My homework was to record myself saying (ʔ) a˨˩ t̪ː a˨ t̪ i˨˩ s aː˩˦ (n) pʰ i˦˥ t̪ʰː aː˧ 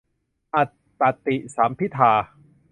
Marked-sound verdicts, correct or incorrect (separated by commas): correct, incorrect